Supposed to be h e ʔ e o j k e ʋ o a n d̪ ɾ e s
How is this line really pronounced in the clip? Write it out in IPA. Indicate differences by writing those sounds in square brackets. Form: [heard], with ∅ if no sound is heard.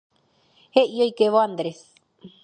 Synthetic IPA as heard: h e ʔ [i] o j k e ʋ o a n d̪ ɾ e s